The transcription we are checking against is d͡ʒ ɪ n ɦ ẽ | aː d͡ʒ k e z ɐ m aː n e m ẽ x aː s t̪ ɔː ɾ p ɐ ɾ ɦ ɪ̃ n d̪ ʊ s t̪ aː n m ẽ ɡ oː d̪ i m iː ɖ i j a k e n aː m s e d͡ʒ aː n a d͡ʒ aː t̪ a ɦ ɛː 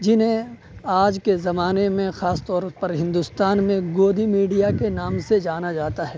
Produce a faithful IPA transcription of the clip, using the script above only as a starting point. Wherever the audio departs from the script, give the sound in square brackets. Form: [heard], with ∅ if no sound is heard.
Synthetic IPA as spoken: d͡ʒ ɪ n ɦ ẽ | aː d͡ʒ k e z ɐ m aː n e m ẽ x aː s t̪ ɔː ɾ p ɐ ɾ ɦ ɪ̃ n d̪ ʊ s t̪ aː n m ẽ ɡ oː d̪ i m iː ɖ i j a k e n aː m s e d͡ʒ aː n a d͡ʒ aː t̪ a ɦ ɛː

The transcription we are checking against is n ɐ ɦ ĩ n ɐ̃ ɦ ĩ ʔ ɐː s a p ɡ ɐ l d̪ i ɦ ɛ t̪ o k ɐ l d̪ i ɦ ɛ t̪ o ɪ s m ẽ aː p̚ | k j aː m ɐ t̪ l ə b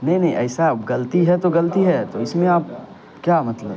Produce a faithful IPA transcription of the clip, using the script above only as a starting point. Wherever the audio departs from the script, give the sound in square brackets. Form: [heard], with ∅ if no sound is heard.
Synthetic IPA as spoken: n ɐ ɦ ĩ n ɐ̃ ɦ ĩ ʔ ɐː s a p ɡ ɐ l [t̪] i ɦ ɛ t̪ o [ɡ] ɐ l [t̪] i ɦ ɛ t̪ o ɪ s m ẽ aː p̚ | k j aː m ɐ t̪ l ə b

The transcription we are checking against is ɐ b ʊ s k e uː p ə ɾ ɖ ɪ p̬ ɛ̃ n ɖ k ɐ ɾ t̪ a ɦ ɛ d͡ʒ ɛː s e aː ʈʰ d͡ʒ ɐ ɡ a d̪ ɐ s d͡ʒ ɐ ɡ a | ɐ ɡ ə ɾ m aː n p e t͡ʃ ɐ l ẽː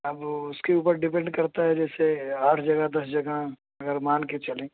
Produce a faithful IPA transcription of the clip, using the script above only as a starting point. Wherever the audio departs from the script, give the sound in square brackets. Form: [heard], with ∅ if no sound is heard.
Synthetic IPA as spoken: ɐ b ʊ s k e uː p ə ɾ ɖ ɪ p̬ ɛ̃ [ɳ] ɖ k ɐ ɾ t̪ a ɦ ɛ d͡ʒ ɛː s e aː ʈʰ d͡ʒ ɐ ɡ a d̪ ɐ s d͡ʒ ɐ ɡ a | ɐ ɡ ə ɾ m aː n [k] e t͡ʃ ɐ l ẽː

